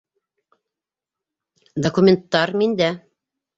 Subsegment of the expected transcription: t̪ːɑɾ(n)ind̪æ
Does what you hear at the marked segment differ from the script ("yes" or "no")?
yes